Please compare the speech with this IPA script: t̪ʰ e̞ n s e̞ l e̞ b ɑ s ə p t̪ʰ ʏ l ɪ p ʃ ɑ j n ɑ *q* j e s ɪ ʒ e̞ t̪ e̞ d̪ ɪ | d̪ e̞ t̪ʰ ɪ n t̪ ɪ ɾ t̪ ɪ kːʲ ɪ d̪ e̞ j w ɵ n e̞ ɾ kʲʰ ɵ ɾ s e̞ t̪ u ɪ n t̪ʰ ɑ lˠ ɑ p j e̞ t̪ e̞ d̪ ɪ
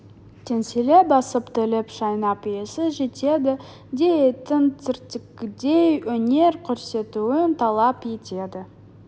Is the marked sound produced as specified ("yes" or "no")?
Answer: no